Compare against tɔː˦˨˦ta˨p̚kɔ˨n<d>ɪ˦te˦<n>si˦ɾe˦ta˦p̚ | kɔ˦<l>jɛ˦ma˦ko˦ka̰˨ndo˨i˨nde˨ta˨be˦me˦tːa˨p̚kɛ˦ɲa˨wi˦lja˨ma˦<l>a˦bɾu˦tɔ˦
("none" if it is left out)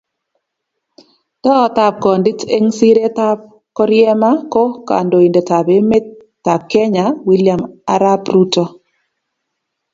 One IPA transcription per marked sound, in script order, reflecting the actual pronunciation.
d, ŋ, ɾ, ɾ

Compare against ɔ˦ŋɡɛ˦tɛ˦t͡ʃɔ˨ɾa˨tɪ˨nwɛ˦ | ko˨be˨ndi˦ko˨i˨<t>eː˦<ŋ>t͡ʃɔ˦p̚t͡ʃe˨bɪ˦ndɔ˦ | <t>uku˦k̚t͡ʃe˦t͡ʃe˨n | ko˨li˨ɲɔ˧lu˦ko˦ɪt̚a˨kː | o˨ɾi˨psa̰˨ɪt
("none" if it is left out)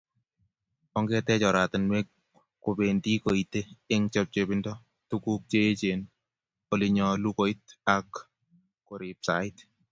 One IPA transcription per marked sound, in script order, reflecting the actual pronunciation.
t, ŋ, t

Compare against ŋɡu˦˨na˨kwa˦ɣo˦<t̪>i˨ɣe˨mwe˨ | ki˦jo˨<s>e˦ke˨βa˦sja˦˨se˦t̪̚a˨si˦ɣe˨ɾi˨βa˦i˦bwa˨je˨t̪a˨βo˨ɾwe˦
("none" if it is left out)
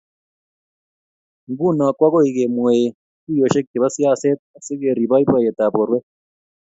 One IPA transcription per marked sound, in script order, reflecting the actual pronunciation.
none, ʃ

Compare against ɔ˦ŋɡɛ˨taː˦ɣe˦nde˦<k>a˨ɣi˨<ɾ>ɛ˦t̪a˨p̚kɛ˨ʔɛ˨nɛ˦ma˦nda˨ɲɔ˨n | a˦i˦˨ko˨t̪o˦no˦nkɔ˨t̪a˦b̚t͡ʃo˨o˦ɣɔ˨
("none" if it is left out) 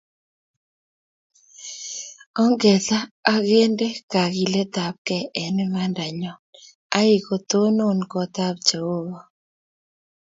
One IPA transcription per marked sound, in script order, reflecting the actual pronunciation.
k, l

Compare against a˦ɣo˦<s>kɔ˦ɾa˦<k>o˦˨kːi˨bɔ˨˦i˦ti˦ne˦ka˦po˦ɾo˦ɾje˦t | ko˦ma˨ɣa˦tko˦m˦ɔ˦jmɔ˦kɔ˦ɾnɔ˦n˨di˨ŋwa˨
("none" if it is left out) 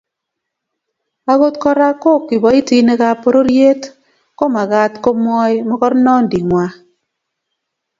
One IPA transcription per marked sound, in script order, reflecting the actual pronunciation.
t, k

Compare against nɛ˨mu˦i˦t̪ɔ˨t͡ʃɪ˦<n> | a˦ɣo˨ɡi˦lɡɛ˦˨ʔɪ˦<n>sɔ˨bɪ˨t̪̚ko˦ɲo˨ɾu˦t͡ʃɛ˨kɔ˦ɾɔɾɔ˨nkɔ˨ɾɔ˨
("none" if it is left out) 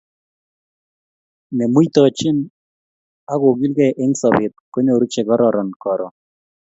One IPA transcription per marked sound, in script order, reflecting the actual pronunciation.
n, ŋ

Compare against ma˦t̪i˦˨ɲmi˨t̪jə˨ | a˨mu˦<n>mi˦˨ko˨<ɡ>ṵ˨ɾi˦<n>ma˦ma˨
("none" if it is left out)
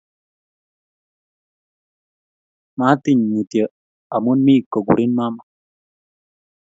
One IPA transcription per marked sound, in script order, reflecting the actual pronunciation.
n, ɡ, n

